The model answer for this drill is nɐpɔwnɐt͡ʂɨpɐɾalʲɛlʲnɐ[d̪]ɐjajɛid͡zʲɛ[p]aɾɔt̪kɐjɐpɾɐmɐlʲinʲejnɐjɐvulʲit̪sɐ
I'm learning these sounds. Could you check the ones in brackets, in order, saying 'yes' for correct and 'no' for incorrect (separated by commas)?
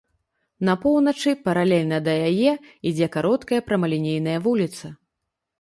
yes, no